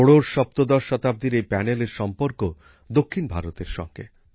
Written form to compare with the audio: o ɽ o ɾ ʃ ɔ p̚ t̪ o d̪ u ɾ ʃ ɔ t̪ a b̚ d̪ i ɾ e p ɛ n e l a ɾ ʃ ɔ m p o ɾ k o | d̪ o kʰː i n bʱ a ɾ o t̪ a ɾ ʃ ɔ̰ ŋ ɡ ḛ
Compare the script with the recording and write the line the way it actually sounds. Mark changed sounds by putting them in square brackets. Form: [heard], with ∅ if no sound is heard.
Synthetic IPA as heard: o ɽ o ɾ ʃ ɔ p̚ t̪ o d̪ [ɔ] ɾ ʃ ɔ t̪ a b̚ d̪ i ɾ e p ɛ n e l [e] ɾ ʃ ɔ m p o ɾ k o | d̪ o kʰː i n bʱ a ɾ o t̪ [e] ɾ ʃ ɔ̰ ŋ ɡ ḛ